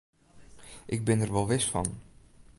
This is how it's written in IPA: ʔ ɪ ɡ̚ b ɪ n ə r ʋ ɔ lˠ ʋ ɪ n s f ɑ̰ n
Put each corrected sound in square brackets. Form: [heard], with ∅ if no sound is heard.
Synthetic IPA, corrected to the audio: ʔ ɪ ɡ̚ b ɪ n ə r ʋ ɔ lˠ ʋ ɪ [∅] s f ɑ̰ n